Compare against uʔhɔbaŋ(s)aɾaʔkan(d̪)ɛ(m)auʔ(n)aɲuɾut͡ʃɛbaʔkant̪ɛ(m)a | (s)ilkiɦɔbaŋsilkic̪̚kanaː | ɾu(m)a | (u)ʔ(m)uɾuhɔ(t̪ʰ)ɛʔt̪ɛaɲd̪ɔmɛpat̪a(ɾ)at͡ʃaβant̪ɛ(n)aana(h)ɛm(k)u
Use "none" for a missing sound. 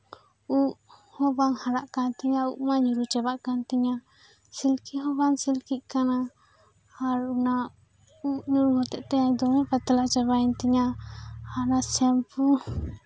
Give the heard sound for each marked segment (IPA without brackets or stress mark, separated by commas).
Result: h, t̪, ɲ, m, ɲ, s, n, u, ɲ, t̪, l, ɲ, s, p